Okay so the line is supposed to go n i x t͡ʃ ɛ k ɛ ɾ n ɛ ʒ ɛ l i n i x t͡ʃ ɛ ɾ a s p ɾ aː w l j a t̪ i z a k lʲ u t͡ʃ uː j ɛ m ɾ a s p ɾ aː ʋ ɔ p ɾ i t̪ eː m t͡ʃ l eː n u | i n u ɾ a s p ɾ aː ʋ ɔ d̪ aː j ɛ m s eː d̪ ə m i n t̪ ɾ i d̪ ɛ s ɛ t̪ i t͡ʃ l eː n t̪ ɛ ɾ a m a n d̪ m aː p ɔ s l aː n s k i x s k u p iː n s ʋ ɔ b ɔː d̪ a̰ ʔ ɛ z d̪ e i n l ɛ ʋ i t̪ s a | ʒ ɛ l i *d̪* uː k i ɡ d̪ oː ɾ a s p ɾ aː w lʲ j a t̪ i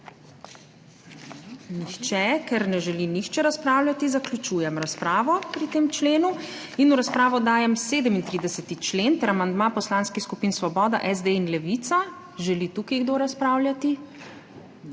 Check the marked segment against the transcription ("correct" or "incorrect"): incorrect